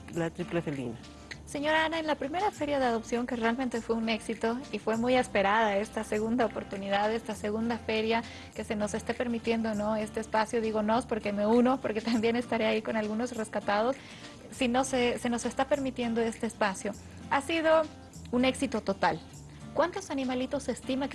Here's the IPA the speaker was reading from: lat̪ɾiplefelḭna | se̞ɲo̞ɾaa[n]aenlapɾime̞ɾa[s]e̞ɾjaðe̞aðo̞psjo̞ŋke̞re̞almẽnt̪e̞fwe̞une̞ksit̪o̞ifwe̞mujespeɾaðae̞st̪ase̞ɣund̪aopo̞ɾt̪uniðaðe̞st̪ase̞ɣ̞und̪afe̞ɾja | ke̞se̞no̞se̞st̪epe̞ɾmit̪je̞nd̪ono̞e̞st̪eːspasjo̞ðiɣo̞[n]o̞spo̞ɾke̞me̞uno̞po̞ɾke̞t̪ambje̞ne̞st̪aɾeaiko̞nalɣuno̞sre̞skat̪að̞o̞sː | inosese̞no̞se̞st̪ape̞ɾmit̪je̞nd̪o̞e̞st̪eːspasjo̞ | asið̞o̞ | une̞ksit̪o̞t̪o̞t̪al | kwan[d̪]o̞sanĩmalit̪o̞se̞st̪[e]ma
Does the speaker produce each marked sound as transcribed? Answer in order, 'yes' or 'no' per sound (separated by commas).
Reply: yes, no, yes, no, no